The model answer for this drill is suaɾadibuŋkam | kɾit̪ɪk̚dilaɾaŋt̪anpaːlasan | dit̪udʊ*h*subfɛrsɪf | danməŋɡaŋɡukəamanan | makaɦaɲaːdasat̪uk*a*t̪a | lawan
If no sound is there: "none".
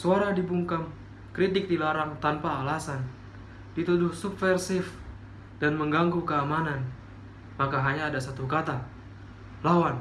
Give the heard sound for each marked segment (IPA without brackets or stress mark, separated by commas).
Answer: h, a